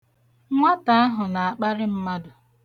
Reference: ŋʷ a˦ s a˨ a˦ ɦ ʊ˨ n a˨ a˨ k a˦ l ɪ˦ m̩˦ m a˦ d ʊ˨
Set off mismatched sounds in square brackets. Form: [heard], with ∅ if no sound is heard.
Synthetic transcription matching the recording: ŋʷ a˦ [t] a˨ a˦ ɦ ʊ˨ n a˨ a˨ [k͡p] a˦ [ɾ] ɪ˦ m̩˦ m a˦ d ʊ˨